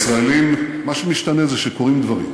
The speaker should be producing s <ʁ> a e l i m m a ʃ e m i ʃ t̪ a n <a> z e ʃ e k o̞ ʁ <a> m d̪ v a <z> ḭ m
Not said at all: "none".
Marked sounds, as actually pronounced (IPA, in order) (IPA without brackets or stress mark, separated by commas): ʁ, e, i, ʁ